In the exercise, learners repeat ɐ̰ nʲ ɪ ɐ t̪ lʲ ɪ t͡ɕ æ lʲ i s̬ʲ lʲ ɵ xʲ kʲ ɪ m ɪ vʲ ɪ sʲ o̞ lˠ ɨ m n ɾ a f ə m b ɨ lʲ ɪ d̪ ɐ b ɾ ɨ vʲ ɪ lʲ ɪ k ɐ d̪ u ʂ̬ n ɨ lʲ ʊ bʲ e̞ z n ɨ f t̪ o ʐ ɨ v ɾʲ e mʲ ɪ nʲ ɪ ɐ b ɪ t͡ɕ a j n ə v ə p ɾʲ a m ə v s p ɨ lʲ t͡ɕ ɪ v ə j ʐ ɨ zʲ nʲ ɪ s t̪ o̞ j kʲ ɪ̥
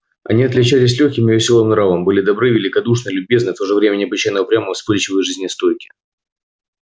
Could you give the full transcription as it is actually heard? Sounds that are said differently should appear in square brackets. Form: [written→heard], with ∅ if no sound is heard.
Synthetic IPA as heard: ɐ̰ nʲ [ɪ→i] ɐ t̪ lʲ ɪ t͡ɕ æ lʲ [i→ɪ] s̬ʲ lʲ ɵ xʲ kʲ ɪ m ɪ vʲ ɪ sʲ o̞ lˠ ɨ m n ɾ a [f→v] ə m b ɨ lʲ ɪ d̪ ɐ b ɾ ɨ vʲ ɪ lʲ ɪ k ɐ d̪ u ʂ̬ n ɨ lʲ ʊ bʲ e̞ z n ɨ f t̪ o ʐ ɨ v ɾʲ e mʲ ɪ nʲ ɪ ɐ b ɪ t͡ɕ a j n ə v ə p ɾʲ a m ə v s p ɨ lʲ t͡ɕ ɪ v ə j ʐ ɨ zʲ nʲ ɪ s t̪ o̞ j kʲ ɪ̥